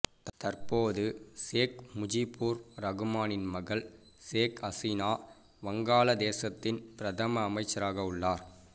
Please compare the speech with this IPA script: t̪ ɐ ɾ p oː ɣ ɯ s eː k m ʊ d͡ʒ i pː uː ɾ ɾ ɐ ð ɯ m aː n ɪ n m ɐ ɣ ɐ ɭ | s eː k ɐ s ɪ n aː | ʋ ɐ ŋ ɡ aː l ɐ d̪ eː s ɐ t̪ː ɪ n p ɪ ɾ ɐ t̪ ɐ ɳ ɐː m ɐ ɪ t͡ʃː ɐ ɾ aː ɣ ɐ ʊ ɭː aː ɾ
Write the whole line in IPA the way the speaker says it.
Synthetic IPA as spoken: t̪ ɐ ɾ p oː ð ɯ s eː k m ʊ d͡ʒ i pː uː ɾ ɾ ɐ ɣ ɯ m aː n ɪ n m ɐ ɣ ɐ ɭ | s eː k ɐ s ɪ n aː | ʋ ɐ ŋ ɡ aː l ɐ d̪ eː s ɐ t̪ː ɪ n p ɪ ɾ ɐ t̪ ɐ m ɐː m ɐ ɪ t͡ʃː ɐ ɾ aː ɣ ɐ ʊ ɭː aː ɾ